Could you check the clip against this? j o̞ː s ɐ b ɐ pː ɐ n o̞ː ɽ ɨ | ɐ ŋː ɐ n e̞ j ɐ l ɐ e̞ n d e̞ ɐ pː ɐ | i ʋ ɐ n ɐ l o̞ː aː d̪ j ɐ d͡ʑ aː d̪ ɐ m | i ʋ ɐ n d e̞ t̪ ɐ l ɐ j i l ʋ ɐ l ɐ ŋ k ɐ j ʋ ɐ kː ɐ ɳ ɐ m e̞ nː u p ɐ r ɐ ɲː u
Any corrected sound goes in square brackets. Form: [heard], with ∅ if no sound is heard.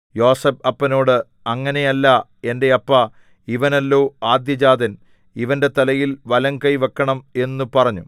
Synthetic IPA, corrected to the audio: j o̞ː s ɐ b ɐ pː ɐ n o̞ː ɽ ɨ | ɐ ŋː ɐ n e̞ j ɐ [lː] ɐ e̞ n d e̞ ɐ pː ɐ | i ʋ ɐ n ɐ [lː] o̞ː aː d̪ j ɐ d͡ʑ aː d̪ ɐ [n] | i ʋ ɐ n d e̞ t̪ ɐ l ɐ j i l ʋ ɐ l ɐ ŋ k ɐ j ʋ ɐ kː ɐ ɳ ɐ m e̞ nː u p ɐ r ɐ ɲː u